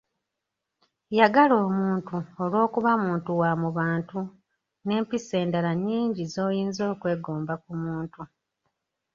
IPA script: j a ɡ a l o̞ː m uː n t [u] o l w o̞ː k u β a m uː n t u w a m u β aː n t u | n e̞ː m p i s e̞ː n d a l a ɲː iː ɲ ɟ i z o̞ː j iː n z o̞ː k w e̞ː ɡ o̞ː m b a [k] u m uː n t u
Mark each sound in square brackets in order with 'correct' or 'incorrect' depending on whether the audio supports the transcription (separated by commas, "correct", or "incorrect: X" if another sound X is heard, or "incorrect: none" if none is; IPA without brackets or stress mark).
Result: correct, correct